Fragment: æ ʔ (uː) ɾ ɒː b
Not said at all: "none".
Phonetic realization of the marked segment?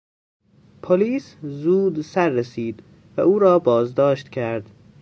uː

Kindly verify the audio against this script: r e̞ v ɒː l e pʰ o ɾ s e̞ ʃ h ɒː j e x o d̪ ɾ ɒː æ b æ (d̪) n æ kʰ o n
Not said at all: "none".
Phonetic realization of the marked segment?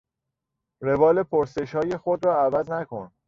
d̪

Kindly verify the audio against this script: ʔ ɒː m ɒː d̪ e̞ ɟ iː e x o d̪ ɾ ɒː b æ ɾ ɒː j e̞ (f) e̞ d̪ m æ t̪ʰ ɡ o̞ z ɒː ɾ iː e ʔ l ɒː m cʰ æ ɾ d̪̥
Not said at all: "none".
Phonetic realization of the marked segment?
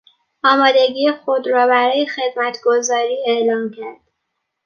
x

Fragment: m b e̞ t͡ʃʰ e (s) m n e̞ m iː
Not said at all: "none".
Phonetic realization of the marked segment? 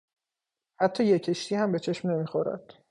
ʃ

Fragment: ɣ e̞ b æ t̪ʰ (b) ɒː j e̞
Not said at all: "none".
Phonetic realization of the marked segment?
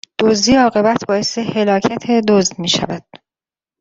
b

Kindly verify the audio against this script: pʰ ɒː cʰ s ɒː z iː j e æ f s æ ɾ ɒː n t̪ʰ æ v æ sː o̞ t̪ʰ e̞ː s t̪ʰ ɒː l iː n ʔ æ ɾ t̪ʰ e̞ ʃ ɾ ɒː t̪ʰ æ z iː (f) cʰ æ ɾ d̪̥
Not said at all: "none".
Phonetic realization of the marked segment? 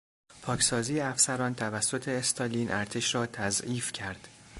f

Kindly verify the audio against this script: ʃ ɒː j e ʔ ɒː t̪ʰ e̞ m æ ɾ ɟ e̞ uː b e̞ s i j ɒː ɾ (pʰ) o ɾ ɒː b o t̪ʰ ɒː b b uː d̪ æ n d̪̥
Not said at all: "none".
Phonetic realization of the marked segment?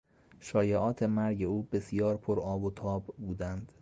pʰ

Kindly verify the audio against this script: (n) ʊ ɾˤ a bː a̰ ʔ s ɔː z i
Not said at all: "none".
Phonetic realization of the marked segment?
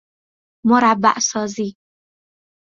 m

